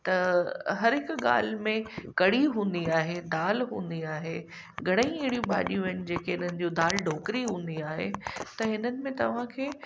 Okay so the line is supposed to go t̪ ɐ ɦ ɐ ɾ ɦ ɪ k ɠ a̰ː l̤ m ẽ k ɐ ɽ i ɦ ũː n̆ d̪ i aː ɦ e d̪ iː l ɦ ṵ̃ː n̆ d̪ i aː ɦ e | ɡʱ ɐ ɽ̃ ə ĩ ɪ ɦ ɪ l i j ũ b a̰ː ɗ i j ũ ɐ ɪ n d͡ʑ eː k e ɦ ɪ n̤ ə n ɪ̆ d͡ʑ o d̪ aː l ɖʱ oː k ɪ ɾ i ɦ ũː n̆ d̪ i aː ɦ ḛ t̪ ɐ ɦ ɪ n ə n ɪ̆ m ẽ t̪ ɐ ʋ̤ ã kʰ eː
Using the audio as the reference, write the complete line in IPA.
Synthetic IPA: t̪ ɐ ɦ ɐ ɾ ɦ ɪ k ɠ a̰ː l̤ m ẽ k ɐ ɽ i ɦ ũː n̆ d̪ i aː ɦ e d̪ aː l ɦ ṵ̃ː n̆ d̪ i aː ɦ e | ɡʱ ɐ ɽ̃ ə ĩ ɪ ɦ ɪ ɽ i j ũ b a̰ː ɗ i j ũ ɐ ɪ n d͡ʑ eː k e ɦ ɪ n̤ ə n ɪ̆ d͡ʑ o d̪ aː l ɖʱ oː k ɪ ɾ i ɦ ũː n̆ d̪ i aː ɦ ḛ t̪ ɐ ɦ ɪ n ə n ɪ̆ m ẽ t̪ ɐ ʋ̤ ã kʰ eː

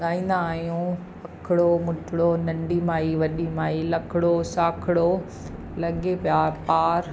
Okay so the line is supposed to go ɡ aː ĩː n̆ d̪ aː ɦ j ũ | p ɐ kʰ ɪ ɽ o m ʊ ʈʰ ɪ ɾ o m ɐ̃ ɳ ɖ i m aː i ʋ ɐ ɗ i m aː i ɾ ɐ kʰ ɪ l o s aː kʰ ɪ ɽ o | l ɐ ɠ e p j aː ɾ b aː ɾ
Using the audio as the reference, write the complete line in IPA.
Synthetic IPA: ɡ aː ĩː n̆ d̪ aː ɦ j ũ | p ɐ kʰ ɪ ɽ o m ʊ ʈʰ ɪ ɽ o n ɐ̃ ɳ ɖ i m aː i ʋ ɐ ɗ i m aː i l ɐ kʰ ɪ ɽ o s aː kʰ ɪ ɽ o | l ɐ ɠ e p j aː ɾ p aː ɾ

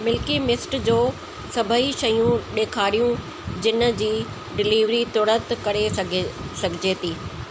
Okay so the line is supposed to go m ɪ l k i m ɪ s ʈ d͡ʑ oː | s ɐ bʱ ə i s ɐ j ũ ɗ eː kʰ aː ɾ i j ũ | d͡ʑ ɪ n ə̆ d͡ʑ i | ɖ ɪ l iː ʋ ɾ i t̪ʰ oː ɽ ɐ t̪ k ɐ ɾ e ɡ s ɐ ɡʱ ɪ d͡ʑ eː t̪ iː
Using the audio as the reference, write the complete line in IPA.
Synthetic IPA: m ɪ l k i m ɪ s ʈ d͡ʑ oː | s ɐ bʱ ə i ʃ ɐ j ũ ɗ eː kʰ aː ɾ i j ũ | d͡ʑ ɪ n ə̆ d͡ʑ iː | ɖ ɪ l iː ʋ ɾ i t̪ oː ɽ ə t̪ k ɐ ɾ e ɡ s ɐ ɡʱ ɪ d͡ʑ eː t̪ iː

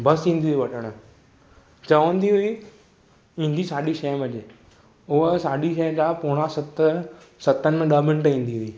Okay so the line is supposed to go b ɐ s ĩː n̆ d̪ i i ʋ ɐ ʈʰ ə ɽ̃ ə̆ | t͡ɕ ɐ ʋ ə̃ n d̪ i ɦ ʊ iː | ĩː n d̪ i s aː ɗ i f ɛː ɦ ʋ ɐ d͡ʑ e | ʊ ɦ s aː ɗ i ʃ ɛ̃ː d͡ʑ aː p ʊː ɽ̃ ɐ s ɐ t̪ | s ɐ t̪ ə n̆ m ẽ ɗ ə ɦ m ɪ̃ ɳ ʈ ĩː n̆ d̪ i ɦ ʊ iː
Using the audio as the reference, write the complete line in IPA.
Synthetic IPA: b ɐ s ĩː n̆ d̪ i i ʋ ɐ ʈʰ ə ɽ̃ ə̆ | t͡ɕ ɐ ʋ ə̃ n d̪ i ɦ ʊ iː | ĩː n d̪ i s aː ɗ i ʃ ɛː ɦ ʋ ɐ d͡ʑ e | ʊ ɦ s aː ɗ i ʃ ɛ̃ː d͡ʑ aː p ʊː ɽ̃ a s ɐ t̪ | s ɐ t̪ ə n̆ m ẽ ɗ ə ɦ m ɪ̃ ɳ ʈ ĩː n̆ d̪ i ɦ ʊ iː

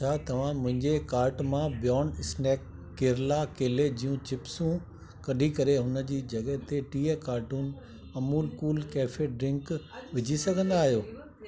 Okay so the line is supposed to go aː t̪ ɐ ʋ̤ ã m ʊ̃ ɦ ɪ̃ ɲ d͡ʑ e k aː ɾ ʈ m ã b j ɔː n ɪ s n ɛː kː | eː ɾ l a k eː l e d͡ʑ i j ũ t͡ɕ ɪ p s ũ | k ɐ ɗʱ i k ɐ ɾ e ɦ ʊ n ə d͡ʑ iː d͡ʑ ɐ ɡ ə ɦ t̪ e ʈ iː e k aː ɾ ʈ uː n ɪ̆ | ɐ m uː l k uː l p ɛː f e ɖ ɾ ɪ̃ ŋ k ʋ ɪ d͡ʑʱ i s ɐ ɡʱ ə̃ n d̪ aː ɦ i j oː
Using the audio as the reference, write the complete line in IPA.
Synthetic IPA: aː t̪ ɐ ʋ̤ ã m ʊ̃ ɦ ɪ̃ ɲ d͡ʑ e k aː ɾ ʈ m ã b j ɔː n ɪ s n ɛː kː | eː ɾ l a k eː l e d͡ʑ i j ũ t͡ɕ ɪ p s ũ | k ɐ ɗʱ i k ɐ ɾ e ɦ ʊ n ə d͡ʑ iː d͡ʑ ɐ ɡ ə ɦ t̪ e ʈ iː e k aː ɾ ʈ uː n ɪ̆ | ɐ m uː l k uː l k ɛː f e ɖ ɾ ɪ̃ ŋ k ʋ ɪ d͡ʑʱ i s ɐ ɡʱ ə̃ n d̪ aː ɦ i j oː

